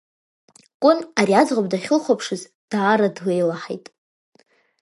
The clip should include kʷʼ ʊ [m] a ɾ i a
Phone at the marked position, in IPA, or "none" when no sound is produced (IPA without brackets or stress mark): n